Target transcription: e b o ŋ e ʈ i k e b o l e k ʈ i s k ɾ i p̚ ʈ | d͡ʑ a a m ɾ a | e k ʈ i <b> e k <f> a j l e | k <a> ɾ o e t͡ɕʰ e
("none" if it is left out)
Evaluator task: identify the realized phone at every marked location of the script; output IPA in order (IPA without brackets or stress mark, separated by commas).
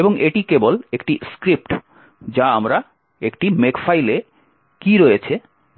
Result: m, f, i